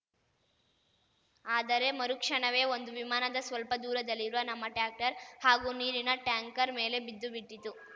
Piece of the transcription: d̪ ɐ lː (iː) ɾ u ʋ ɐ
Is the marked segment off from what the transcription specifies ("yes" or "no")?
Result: yes